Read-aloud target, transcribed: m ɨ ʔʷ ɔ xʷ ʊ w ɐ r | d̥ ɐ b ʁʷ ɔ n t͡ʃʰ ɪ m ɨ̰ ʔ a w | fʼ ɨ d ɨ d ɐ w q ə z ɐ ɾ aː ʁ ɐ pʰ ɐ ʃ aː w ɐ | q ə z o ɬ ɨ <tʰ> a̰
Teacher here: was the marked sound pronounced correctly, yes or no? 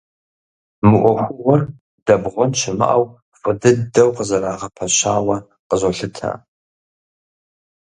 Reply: yes